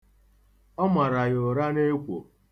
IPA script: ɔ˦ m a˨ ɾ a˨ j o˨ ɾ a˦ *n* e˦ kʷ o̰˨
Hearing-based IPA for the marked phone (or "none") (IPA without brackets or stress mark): n